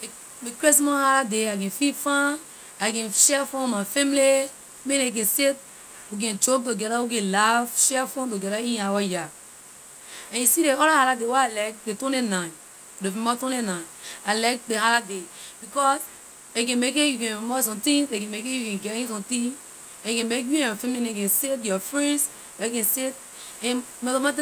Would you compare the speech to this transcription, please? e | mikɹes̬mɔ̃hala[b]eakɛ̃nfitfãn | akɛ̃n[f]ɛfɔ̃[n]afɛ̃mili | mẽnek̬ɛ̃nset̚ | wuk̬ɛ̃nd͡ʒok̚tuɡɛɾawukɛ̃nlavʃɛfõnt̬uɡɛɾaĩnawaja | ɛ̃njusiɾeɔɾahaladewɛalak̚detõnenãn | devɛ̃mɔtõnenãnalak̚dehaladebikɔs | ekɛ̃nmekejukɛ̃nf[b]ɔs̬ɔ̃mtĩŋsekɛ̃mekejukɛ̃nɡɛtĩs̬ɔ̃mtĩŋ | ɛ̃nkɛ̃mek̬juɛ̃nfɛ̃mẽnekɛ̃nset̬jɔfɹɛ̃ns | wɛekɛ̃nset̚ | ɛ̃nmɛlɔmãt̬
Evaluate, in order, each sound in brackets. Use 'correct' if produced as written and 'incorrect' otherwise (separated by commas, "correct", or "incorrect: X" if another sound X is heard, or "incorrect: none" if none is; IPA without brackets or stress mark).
incorrect: d, incorrect: ʃ, incorrect: m, incorrect: m